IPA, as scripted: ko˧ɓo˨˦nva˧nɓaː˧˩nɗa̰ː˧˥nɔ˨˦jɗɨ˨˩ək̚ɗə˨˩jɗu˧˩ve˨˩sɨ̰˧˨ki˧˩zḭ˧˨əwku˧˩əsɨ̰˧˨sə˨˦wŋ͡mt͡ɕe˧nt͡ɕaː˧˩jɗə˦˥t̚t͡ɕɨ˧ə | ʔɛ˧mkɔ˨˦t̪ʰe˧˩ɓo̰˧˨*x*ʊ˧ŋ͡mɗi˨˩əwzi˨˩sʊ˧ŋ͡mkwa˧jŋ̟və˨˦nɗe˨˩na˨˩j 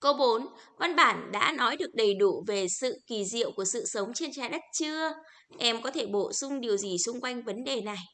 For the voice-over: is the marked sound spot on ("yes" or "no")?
no